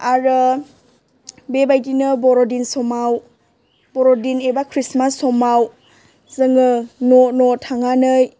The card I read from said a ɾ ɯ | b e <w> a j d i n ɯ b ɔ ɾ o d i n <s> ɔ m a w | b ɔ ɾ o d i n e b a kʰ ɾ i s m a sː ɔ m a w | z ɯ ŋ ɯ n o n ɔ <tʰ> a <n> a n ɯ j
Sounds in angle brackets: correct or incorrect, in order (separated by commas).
incorrect, correct, correct, incorrect